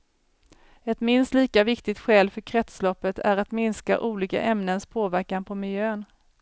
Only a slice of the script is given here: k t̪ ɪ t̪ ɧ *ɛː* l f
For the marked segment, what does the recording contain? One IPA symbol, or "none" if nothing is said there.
ɛː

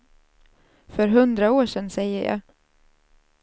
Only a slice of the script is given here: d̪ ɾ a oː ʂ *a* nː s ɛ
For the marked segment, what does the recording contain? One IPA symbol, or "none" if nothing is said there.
ɛ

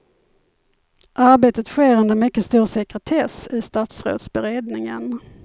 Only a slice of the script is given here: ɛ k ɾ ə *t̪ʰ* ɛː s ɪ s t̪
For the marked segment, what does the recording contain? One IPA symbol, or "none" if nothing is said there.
t̪ʰ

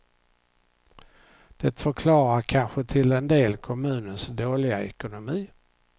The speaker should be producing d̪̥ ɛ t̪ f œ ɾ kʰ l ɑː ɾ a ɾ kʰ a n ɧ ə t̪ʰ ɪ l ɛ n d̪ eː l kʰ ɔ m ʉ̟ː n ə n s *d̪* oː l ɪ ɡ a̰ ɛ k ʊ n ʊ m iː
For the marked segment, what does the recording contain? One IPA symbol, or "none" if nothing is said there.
d̪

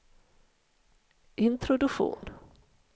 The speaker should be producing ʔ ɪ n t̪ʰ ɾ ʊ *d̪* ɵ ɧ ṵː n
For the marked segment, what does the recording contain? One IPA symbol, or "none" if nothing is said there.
d̪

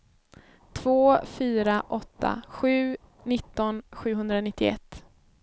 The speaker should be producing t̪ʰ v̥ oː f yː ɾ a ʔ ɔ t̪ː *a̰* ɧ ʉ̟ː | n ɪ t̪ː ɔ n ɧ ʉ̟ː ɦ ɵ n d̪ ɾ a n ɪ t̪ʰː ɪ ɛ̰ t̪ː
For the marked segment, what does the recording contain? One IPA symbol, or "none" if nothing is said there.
a̰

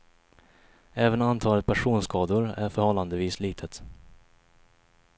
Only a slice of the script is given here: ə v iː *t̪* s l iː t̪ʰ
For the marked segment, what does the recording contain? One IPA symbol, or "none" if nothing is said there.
none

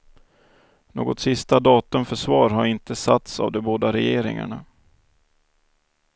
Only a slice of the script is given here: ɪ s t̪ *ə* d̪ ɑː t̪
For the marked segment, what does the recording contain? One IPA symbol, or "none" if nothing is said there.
a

